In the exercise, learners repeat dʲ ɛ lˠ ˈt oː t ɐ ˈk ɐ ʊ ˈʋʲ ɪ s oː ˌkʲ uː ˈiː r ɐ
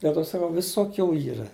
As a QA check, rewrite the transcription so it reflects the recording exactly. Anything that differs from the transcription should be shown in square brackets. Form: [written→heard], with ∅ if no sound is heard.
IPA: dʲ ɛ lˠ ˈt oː [t→s] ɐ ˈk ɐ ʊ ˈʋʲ ɪ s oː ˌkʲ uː ˈiː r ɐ